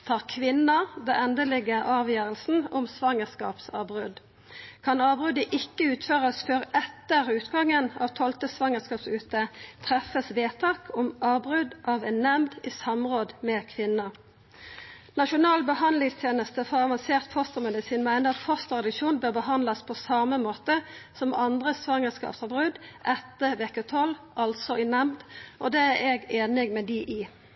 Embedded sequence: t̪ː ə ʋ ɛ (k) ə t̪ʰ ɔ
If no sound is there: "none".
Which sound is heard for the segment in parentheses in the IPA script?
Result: k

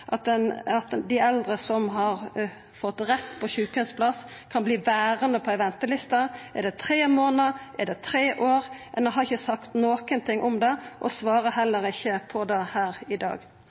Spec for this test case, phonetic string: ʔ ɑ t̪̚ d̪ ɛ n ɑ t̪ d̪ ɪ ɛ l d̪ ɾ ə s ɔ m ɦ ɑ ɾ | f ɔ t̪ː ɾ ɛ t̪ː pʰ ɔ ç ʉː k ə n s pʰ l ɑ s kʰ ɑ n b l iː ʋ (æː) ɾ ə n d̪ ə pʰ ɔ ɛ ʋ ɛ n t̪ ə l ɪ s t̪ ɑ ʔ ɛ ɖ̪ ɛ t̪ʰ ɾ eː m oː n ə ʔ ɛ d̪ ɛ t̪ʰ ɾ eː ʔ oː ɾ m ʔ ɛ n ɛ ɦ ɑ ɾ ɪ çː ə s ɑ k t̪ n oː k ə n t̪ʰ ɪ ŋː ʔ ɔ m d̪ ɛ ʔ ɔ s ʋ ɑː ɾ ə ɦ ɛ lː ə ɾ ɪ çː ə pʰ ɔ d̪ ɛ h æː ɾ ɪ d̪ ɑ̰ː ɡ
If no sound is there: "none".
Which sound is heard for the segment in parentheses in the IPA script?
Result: æː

